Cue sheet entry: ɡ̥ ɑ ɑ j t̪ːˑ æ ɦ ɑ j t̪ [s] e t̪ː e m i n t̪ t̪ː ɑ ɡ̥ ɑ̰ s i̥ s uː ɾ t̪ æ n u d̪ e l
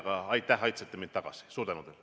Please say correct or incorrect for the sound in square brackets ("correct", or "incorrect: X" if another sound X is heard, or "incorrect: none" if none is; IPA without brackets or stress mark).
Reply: correct